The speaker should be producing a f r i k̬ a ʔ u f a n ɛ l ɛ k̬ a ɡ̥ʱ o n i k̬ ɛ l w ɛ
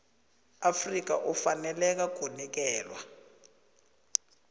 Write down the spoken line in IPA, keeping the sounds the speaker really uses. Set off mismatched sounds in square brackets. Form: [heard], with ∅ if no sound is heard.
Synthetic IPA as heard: a f r i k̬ a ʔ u f a n ɛ l ɛ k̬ a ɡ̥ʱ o n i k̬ [ɛː] l w [a]